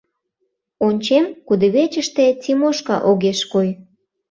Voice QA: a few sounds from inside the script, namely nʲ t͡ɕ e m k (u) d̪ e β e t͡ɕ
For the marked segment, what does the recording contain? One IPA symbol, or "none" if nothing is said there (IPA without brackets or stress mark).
u